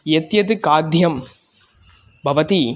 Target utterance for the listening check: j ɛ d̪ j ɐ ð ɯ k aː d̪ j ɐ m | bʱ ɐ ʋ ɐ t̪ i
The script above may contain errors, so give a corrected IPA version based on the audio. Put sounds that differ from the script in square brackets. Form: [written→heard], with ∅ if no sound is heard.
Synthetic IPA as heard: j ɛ [d̪→t̪] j ɐ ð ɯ k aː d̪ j ɐ m | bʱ ɐ ʋ ɐ t̪ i